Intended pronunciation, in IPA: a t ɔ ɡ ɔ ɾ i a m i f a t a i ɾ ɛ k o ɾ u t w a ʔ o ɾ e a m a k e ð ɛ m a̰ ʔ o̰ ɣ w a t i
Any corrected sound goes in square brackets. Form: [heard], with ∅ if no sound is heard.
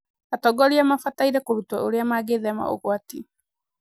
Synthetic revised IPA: a t ɔ ɡ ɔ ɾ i a m [a] f a t a i ɾ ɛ k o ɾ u t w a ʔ o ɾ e a m a [ɡ] e ð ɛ m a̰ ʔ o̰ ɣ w a t i